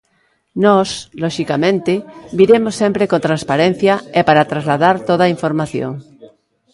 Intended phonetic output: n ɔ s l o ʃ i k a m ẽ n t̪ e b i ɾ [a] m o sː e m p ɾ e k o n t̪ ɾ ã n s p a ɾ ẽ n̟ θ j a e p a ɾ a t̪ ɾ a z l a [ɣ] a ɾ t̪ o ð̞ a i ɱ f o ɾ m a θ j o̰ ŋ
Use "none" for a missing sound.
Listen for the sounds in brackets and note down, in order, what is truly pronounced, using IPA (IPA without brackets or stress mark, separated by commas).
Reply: e, ð